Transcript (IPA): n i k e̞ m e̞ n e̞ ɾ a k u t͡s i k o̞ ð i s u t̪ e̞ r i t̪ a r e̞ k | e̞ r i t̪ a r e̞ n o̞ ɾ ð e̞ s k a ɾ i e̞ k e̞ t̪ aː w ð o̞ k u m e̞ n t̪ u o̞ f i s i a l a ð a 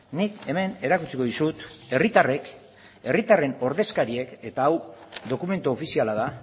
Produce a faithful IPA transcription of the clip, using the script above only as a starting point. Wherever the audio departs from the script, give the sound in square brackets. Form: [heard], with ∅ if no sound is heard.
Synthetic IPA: n i k e̞ m e̞ n e̞ ɾ a k u t͡s i k o̞ ð i s u t̪ e̞ r i t̪ a r e̞ k | e̞ r i t̪ a r e̞ n o̞ ɾ ð e̞ s k a ɾ i e̞ k e̞ t̪ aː w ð o̞ k u m e̞ n t̪ u o̞ f i s i a l a ð a